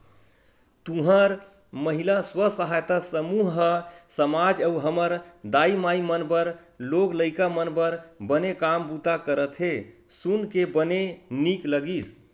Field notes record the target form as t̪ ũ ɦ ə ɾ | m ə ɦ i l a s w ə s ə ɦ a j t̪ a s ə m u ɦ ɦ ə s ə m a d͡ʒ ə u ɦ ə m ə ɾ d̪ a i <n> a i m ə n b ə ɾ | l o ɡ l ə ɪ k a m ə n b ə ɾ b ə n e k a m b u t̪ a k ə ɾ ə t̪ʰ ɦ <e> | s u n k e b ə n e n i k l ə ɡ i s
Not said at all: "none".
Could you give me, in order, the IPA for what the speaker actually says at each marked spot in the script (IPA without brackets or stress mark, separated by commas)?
m, e